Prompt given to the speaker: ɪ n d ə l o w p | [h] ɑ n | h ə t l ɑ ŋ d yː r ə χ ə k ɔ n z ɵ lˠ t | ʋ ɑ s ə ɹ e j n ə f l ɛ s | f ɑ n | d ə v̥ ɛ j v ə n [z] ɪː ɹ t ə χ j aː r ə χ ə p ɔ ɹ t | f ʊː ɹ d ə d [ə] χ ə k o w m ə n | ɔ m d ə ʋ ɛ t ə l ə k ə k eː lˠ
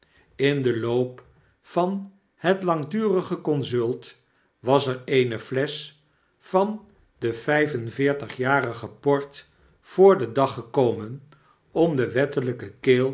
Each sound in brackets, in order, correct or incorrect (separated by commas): incorrect, incorrect, incorrect